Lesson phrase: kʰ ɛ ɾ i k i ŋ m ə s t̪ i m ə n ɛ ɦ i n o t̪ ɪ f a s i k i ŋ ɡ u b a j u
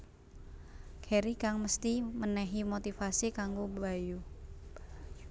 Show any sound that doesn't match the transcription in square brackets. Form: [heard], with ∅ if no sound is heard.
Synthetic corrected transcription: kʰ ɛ ɾ i k [a] ŋ m ə s t̪ i m ə n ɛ ɦ i [m] o t̪ [i] f a s i k [a] ŋ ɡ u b a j u